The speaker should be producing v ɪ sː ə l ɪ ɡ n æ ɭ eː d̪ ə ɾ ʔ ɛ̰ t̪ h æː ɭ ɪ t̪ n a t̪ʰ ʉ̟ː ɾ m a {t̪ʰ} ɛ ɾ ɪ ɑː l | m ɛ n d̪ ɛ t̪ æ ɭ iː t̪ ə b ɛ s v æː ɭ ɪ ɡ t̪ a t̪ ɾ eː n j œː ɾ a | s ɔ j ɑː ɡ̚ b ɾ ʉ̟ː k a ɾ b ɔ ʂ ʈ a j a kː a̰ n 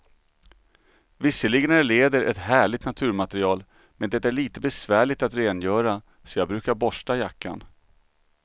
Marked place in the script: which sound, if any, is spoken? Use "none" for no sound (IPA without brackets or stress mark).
t̪